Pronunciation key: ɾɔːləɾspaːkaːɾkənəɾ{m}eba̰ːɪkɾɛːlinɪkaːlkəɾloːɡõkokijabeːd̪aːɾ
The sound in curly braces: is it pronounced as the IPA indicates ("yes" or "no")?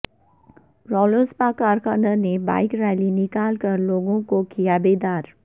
no